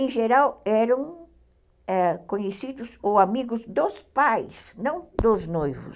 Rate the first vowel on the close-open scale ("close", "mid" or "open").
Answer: mid